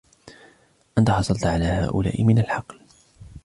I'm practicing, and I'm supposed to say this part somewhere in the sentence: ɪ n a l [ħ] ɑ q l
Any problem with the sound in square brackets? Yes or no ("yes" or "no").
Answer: no